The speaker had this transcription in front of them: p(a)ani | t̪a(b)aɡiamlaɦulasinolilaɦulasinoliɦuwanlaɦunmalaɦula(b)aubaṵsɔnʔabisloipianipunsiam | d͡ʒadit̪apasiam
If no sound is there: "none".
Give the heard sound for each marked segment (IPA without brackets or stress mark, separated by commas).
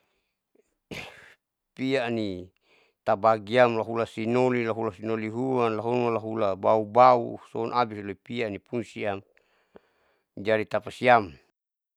i, b, b